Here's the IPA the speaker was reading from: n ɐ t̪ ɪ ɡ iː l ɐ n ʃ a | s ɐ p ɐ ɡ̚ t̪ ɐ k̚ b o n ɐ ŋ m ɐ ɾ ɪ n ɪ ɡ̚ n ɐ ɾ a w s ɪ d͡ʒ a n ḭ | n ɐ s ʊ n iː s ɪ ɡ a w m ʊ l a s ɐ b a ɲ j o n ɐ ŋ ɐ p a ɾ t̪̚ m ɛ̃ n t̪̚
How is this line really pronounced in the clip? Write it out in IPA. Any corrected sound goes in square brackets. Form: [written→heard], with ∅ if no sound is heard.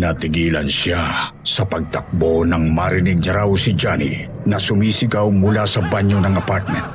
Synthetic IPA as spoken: n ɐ t̪ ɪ ɡ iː l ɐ n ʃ a | s ɐ p ɐ ɡ̚ t̪ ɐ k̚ b o n ɐ ŋ m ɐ ɾ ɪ n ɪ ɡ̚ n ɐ ɾ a w s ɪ d͡ʒ a n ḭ | n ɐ s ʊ [n→m] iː s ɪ ɡ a w m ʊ l a s ɐ b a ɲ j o n ɐ ŋ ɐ p a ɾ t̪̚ m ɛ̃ n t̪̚